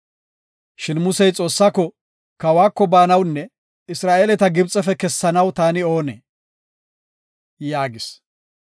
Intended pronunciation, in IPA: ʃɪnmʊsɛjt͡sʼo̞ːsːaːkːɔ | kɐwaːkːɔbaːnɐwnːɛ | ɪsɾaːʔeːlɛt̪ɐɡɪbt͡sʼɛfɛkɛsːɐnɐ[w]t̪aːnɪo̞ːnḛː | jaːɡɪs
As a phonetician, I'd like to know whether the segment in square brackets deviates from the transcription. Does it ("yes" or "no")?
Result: no